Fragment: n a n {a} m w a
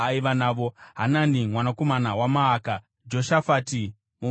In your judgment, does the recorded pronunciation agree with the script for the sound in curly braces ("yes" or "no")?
no